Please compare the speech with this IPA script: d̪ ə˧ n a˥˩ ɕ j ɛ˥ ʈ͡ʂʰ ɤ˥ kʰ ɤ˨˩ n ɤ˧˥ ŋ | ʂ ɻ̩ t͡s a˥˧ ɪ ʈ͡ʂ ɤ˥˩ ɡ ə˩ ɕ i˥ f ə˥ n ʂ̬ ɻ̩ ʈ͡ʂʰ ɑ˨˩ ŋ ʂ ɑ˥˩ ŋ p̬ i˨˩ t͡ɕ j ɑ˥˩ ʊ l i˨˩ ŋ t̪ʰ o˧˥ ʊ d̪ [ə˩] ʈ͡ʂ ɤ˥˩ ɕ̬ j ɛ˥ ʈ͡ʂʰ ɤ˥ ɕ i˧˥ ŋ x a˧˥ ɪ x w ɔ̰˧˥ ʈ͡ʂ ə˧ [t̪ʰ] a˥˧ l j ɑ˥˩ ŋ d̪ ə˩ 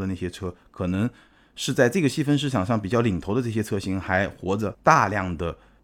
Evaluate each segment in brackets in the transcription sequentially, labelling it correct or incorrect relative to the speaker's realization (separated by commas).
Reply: incorrect, incorrect